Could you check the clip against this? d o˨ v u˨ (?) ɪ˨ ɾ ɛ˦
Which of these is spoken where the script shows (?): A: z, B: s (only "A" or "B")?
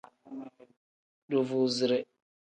A